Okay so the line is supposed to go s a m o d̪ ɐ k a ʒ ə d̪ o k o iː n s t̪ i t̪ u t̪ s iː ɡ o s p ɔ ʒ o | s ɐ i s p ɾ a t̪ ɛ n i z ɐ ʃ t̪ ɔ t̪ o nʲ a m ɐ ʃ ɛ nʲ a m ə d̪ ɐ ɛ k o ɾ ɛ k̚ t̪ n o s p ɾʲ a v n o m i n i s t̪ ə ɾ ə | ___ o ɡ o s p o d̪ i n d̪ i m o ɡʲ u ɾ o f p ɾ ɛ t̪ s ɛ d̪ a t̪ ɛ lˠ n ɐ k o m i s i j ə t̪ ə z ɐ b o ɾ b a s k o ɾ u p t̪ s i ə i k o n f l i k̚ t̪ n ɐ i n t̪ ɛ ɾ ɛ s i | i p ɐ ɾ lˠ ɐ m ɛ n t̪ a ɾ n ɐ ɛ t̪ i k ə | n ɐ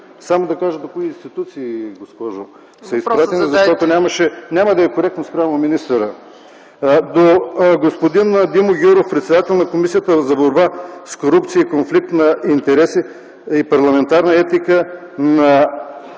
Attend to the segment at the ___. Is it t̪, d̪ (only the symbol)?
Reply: d̪